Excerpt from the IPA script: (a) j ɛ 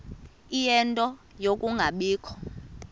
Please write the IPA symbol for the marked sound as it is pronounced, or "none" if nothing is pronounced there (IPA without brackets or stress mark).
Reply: i